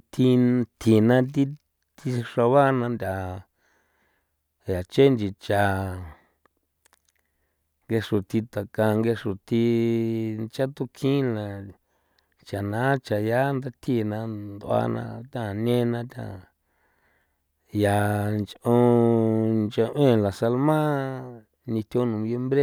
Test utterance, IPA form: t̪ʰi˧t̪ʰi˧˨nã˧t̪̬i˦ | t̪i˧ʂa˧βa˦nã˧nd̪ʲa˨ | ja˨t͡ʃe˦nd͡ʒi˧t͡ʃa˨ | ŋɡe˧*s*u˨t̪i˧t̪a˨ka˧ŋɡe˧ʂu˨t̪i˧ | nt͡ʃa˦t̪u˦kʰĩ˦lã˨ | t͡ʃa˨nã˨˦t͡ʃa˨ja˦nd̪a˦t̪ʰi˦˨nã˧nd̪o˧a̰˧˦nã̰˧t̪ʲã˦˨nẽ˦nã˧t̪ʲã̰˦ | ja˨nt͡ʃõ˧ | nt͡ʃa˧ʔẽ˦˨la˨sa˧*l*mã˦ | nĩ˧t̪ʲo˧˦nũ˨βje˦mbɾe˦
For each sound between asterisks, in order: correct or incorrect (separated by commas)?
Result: incorrect, correct